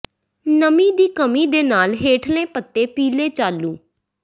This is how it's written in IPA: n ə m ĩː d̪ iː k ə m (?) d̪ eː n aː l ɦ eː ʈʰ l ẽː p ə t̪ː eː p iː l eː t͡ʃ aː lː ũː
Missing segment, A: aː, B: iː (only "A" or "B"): B